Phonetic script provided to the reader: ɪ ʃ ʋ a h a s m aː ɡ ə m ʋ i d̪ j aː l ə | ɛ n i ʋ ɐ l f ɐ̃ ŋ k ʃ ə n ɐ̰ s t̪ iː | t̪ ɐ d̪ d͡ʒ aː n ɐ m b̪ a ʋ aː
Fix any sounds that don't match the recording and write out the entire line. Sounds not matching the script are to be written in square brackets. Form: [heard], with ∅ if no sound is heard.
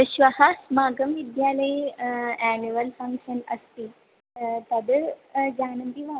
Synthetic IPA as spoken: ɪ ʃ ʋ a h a s m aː ɡ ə m ʋ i d̪ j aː l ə | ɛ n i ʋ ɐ l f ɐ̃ ŋ k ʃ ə n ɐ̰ s t̪ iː | t̪ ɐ d̪ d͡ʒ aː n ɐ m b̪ [i] ʋ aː